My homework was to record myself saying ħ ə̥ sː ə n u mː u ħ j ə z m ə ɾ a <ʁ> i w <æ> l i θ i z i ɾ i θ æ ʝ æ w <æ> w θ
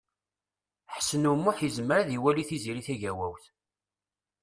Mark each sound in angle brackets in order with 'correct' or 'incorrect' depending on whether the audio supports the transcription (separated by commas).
incorrect, correct, correct